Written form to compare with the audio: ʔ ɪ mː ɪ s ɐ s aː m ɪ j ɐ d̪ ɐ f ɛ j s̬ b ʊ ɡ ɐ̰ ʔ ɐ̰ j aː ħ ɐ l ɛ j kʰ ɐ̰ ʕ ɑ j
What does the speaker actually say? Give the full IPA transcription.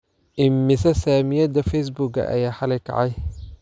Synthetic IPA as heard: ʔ ɪ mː ɪ s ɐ s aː m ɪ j ɐ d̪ ɐ f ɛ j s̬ b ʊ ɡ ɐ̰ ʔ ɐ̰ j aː ħ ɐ l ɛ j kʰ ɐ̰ ʕ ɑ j

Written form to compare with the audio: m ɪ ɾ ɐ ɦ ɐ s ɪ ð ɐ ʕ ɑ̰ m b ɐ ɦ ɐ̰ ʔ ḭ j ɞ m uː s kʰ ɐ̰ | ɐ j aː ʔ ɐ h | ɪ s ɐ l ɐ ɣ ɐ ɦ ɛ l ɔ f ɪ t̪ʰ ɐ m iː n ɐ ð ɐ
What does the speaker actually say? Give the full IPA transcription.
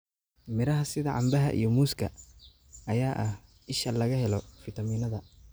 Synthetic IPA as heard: m ɪ ɾ ɐ ɦ ɐ s ɪ ð ɐ ʕ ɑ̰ m b ɐ ɦ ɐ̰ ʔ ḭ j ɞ m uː s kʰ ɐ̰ | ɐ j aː ʔ ɐ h | ɪ ʃ ɐ l ɐ ɣ ɐ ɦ ɛ l ɔ f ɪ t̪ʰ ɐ m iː n ɐ ð ɐ

